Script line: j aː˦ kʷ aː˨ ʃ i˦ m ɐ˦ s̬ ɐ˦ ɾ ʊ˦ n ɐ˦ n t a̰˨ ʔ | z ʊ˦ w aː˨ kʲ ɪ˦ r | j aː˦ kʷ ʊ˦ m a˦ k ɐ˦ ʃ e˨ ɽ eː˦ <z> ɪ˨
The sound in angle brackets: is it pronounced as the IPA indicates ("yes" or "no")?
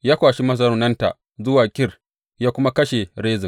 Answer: yes